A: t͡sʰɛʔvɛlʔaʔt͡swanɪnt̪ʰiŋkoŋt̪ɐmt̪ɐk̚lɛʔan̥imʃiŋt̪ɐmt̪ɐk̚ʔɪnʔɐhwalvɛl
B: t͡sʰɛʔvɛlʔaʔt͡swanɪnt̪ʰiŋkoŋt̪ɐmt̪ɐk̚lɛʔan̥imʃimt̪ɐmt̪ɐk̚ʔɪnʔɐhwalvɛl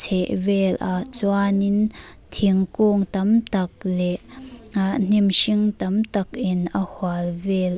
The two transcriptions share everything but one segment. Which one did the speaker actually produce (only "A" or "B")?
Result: A